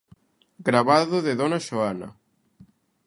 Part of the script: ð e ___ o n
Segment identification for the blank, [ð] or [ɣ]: ð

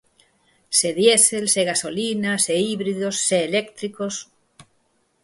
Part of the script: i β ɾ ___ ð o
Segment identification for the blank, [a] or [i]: i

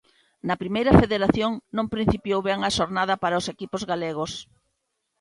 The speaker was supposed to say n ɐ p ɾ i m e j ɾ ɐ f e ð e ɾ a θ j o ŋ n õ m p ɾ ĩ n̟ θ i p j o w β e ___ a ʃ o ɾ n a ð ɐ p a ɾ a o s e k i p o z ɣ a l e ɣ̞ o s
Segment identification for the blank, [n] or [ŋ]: ŋ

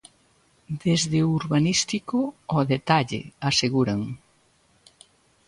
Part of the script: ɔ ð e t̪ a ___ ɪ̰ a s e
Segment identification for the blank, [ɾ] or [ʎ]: ʎ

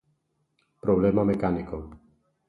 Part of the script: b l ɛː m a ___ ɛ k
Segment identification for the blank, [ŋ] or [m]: m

